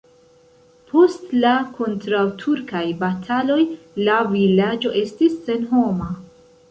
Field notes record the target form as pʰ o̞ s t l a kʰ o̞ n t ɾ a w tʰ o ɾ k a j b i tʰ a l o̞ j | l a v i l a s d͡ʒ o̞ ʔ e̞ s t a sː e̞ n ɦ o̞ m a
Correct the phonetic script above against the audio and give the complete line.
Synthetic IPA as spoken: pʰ o̞ s t l a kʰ o̞ n t ɾ a w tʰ u ɾ k a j b a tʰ a l o̞ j | l a v i l a d͡ʒ o̞ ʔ e̞ s t i sː e̞ n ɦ o̞ m a